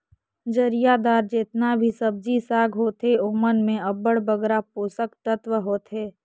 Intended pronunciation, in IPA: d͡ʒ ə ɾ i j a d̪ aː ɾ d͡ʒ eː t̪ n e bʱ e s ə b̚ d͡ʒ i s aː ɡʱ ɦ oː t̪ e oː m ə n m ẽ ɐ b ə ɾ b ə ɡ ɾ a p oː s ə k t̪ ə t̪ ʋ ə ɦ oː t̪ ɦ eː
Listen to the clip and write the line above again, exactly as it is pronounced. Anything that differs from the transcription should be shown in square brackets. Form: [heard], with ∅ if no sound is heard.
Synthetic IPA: d͡ʒ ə ɾ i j a d̪ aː ɾ d͡ʒ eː t̪ n [a] bʱ [i] s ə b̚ d͡ʒ i s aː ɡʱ ɦ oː t̪ e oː m ə n m ẽ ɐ b ə [ɽ] b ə ɡ ɾ a p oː s ə k t̪ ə t̪ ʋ ə ɦ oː t̪ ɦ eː